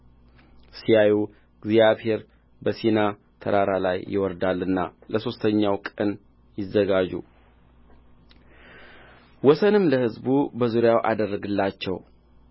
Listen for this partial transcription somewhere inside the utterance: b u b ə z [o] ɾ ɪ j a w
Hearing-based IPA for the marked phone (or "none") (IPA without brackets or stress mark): u